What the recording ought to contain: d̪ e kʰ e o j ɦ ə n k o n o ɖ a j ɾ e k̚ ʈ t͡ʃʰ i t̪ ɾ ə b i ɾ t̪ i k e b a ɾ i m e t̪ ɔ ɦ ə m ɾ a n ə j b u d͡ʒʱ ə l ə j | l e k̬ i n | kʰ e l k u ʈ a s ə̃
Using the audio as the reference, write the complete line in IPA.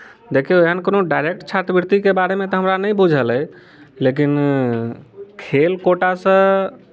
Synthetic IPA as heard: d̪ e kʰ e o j ɦ ə n k o n o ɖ a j ɾ e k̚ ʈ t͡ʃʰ a t̪ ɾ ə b i ɾ t̪ i k e b a ɾ e m e t̪ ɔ ɦ ə m ɾ a n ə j b u d͡ʒʱ ə l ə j | l e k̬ i n | kʰ e l k o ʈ a s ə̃